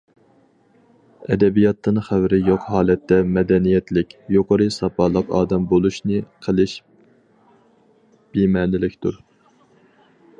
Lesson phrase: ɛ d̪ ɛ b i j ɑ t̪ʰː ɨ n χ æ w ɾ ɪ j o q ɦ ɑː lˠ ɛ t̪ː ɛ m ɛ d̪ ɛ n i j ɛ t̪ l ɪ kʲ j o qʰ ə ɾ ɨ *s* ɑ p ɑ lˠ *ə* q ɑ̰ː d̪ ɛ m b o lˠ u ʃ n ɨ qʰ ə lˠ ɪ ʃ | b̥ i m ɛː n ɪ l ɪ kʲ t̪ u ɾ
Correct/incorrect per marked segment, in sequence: correct, correct

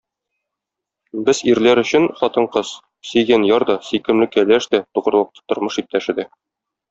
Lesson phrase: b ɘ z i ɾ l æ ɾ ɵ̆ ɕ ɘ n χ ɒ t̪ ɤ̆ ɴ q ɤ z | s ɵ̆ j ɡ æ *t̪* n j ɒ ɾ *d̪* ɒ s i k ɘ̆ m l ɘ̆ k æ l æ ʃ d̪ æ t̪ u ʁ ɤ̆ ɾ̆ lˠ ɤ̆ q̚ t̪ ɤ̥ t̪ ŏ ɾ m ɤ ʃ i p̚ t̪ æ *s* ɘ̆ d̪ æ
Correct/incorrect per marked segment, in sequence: incorrect, correct, incorrect

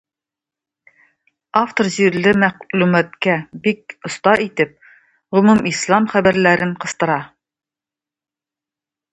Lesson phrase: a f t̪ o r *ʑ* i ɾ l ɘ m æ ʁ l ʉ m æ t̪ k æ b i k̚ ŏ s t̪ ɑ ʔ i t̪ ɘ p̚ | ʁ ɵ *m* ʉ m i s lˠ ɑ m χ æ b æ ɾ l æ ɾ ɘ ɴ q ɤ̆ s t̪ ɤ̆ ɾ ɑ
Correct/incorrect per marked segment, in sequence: correct, correct

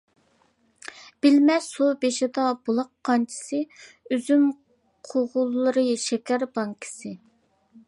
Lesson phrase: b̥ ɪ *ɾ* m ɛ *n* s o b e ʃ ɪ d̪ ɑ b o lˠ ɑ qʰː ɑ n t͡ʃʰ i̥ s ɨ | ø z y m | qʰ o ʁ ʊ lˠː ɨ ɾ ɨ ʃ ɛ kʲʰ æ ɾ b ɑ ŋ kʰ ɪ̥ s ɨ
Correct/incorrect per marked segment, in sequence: incorrect, incorrect

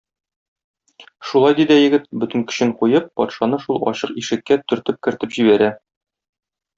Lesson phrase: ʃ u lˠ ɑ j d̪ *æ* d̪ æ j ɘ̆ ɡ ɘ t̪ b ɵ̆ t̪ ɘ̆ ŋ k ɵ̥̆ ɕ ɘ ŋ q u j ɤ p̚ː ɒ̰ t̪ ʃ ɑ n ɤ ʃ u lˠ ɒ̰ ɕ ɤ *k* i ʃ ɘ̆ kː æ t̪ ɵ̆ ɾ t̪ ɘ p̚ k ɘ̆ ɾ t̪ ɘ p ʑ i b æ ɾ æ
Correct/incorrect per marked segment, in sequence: incorrect, incorrect

